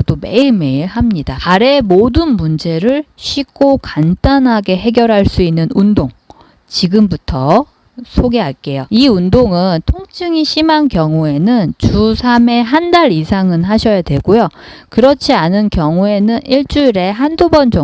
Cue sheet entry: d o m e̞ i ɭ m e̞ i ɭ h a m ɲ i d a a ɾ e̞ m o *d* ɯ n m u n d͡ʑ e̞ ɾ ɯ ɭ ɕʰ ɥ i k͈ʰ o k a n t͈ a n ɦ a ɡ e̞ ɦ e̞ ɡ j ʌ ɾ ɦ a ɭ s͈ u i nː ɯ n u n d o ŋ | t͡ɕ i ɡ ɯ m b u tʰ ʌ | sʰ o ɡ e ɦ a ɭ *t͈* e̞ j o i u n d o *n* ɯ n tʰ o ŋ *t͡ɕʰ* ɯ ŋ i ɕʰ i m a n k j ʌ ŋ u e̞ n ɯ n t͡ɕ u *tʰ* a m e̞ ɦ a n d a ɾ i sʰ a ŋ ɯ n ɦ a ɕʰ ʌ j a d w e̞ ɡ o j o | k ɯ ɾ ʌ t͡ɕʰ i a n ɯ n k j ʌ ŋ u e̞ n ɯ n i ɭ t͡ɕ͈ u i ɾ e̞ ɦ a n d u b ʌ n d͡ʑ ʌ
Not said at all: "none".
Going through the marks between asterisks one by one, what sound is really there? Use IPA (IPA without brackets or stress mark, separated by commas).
d, k͈, ŋ, t͡ɕʰ, sʰ